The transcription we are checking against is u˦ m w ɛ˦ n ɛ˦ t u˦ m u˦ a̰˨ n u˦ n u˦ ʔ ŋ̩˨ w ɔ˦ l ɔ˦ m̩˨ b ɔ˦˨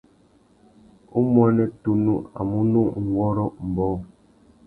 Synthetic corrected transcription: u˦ m w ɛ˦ n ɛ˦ t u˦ n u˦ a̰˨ m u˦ n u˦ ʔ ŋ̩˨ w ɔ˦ ɾ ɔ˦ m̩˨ b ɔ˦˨